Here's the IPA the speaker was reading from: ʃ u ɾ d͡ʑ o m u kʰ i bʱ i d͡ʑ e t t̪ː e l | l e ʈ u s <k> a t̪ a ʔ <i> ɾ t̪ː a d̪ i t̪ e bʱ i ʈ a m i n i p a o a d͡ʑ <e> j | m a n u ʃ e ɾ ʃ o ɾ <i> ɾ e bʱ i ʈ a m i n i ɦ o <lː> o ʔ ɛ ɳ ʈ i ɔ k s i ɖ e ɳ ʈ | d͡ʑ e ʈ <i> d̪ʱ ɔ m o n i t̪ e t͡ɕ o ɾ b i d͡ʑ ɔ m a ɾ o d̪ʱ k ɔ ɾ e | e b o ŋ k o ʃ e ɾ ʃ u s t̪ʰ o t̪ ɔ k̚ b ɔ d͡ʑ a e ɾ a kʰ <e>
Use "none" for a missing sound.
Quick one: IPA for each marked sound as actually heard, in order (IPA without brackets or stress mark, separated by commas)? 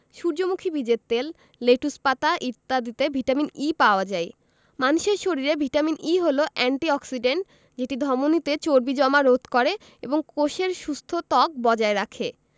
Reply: p, i, a, i, l, i, e